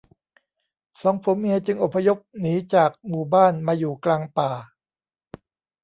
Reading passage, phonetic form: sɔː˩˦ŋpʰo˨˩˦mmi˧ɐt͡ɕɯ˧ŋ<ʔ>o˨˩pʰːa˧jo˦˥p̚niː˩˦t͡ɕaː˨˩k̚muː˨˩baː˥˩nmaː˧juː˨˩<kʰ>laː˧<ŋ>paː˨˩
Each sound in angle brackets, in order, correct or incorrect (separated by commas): correct, incorrect, correct